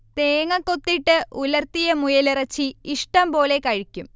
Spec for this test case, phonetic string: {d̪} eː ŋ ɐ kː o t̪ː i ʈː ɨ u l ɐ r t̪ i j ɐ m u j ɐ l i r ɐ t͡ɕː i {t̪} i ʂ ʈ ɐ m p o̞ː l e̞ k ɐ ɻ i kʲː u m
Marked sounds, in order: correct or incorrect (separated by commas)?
incorrect, incorrect